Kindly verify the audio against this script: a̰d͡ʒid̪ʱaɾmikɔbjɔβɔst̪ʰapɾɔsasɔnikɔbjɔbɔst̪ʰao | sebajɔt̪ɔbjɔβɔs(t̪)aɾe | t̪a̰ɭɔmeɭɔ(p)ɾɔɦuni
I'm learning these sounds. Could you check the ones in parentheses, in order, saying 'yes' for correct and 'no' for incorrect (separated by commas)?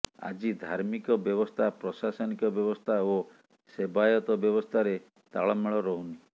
no, no